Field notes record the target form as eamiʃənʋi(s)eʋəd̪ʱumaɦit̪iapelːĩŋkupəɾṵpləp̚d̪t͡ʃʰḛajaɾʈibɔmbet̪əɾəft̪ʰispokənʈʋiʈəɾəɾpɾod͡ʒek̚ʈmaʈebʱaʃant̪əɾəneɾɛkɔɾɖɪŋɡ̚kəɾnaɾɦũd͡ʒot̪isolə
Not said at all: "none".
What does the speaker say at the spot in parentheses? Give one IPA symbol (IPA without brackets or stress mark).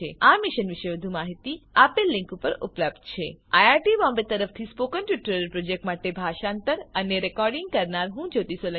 ʃ